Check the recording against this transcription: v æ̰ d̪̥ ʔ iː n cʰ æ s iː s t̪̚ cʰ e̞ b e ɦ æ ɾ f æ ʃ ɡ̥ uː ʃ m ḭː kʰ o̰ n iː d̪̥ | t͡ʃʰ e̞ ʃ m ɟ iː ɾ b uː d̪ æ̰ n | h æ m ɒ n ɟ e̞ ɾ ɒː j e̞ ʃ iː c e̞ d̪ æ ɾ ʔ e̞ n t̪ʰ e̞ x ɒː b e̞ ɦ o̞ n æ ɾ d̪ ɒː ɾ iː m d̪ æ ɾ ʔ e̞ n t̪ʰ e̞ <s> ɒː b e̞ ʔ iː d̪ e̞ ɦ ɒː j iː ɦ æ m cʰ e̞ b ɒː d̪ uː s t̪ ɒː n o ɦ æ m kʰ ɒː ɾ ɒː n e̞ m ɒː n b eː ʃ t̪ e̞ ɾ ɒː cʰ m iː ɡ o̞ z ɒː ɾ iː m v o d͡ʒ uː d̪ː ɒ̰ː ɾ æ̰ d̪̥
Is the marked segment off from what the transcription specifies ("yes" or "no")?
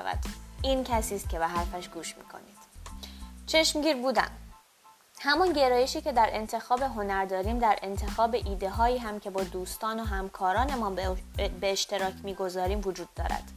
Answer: yes